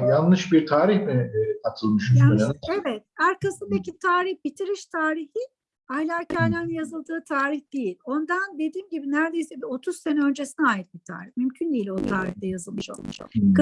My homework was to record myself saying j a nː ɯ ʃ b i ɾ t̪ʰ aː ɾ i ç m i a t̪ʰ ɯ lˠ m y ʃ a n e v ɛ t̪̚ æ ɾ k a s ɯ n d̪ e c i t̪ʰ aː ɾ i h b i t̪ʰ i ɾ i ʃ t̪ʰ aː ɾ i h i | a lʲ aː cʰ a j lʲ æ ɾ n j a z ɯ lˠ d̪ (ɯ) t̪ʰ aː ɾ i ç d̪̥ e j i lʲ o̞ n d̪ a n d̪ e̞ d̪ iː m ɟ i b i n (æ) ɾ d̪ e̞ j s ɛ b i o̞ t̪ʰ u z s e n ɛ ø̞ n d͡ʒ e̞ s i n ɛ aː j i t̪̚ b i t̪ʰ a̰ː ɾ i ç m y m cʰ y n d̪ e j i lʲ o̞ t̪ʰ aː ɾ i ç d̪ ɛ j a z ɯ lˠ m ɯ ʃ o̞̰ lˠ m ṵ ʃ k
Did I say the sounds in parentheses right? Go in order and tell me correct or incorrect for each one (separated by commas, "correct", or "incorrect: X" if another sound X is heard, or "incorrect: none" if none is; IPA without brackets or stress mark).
incorrect: ɯː, correct